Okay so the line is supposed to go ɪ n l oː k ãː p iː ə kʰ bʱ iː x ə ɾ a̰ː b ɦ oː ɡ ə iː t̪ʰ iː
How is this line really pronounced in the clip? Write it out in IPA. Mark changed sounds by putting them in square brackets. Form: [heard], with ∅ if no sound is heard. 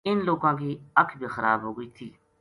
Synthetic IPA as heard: ɪ n l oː k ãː [k] iː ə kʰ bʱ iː x ə ɾ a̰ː b ɦ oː ɡ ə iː t̪ʰ iː